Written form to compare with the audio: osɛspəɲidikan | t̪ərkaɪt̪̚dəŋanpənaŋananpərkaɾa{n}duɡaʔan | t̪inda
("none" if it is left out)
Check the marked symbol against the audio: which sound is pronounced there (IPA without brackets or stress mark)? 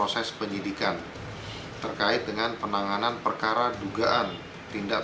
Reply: none